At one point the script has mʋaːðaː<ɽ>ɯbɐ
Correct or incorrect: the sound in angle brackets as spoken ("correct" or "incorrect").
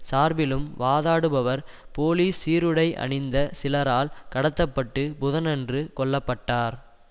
correct